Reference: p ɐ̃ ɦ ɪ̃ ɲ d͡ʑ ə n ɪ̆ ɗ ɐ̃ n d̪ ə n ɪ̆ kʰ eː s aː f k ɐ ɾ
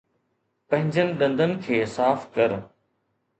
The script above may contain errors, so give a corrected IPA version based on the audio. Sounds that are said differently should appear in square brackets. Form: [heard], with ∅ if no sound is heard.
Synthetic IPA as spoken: p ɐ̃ ɦ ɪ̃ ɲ d͡ʑ ə n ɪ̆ ɗ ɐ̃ n d̪ ə n ɪ̆ kʰ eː s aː f k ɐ ɾ